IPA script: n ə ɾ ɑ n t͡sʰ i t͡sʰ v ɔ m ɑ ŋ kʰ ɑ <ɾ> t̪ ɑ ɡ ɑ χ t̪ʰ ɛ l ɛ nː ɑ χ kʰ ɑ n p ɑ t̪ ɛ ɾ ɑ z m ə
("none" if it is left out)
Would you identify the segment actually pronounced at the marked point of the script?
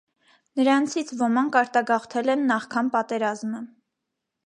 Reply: ɾ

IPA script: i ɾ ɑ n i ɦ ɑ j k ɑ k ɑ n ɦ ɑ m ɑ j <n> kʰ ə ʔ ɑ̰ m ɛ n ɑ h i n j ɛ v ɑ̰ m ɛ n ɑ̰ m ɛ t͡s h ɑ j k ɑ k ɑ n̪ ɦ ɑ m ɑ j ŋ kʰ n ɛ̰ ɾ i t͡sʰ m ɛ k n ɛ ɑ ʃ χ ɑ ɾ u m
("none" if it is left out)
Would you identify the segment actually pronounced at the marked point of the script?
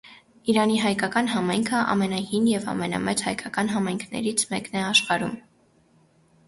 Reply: ŋ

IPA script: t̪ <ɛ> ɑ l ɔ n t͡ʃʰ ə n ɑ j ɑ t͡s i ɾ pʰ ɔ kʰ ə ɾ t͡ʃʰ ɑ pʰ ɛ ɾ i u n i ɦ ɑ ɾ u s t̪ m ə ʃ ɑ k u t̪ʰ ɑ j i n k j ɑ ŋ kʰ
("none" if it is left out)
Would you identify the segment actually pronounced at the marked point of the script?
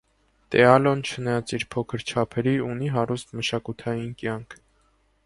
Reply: ɛ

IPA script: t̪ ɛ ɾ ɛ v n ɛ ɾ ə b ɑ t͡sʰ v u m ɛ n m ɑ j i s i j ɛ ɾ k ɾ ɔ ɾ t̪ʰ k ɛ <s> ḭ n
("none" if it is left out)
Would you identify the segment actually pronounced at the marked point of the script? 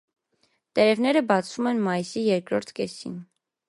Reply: s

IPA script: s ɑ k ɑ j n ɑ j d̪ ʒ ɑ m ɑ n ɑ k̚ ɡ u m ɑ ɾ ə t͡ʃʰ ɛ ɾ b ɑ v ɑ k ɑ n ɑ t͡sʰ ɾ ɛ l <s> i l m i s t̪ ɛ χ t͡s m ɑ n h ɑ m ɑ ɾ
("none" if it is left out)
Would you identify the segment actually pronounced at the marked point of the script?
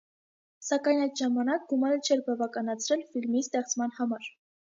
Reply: f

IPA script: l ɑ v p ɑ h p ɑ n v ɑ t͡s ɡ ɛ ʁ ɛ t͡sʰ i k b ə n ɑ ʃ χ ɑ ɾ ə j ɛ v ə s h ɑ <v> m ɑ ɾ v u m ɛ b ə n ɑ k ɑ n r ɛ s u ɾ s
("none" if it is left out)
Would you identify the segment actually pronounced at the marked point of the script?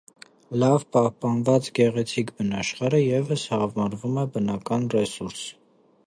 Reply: v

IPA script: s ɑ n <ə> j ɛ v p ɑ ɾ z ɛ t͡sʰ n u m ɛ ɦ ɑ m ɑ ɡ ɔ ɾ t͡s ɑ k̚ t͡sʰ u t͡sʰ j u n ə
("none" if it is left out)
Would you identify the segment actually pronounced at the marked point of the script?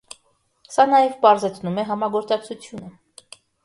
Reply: ɑ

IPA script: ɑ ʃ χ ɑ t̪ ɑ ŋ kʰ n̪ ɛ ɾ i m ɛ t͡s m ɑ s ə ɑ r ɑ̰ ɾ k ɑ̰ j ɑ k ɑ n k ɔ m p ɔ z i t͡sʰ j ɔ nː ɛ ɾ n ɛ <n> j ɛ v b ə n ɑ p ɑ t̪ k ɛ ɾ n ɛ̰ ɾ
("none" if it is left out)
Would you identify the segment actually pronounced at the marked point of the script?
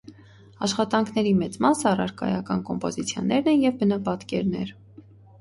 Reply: n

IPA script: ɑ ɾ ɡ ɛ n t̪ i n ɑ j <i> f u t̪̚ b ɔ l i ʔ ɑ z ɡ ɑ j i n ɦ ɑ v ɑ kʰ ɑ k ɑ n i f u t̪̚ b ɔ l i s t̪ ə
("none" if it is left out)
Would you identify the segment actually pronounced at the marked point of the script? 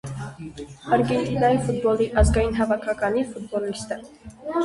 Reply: i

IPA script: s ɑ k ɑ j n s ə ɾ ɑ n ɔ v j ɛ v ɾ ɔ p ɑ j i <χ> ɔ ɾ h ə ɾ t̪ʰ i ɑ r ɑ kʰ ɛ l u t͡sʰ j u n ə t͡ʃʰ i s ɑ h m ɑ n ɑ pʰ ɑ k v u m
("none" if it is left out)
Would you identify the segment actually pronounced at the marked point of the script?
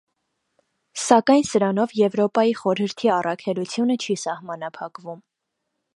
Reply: χ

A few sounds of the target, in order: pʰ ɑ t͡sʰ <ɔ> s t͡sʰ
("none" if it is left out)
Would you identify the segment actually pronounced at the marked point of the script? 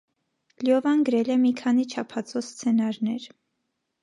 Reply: ɔ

